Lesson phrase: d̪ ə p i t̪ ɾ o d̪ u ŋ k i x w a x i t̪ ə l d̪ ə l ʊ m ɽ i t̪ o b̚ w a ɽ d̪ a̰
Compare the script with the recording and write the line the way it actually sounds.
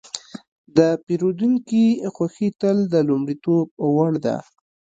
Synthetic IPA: d̪ ə p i ɾ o d̪ u ŋ k i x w a x i t̪ ə l d̪ ə l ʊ m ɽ i t̪ o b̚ w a ɽ d̪ a̰